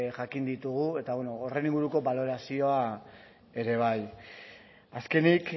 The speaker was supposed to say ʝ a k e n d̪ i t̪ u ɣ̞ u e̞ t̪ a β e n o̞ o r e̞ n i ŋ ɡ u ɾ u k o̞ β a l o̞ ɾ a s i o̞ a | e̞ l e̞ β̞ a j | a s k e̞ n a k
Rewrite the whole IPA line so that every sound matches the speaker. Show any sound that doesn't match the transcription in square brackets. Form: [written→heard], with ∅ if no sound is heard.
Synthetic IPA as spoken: ʝ a k [e→i] n d̪ i t̪ u ɣ̞ u e̞ t̪ a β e n o̞ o r e̞ n i ŋ ɡ u ɾ u k o̞ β a l o̞ ɾ a s i o̞ a | e̞ [l→ɾ] e̞ β̞ a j | a s k e̞ n [a→i] k